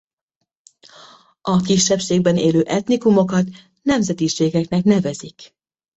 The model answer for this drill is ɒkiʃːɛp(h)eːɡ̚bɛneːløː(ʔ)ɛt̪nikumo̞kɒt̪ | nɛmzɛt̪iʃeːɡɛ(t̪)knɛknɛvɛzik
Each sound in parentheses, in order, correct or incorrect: incorrect, correct, incorrect

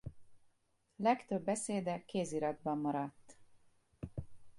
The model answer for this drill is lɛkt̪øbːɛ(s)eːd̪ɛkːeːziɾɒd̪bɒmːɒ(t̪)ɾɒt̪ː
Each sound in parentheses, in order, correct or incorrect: correct, incorrect

